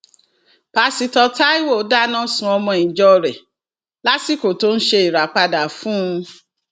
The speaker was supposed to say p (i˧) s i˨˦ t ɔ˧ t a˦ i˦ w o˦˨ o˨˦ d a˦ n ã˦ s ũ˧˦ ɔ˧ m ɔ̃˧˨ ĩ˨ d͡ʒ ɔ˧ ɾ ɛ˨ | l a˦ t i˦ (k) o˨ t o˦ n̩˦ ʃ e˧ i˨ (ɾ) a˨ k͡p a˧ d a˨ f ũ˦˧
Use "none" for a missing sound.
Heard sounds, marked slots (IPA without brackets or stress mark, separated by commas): a˧, k, ɾ